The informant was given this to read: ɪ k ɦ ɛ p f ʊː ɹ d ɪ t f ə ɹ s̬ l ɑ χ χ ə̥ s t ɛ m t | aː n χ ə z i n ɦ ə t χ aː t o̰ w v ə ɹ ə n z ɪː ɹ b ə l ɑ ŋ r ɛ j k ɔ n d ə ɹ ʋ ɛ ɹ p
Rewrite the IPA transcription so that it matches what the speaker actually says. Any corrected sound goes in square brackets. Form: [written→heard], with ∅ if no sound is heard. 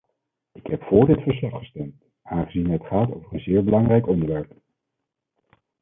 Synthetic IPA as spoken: ɪ k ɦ ɛ p f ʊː ɹ d ɪ t f ə ɹ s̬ l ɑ χ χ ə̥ s t ɛ m t | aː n χ ə z i n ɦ ə t χ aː t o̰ w v ə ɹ ə n z ɪː ɹ b ə l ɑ ŋ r ɛ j k ɔ n d ə ɹ ʋ ɛ ɹ p